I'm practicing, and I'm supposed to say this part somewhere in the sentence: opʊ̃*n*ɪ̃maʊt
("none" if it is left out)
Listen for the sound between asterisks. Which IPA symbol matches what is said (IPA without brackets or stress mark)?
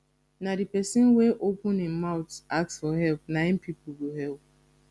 n